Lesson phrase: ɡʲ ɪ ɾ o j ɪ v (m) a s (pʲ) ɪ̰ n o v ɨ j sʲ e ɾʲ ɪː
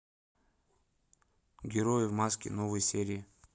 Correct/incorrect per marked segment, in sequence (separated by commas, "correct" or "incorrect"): correct, incorrect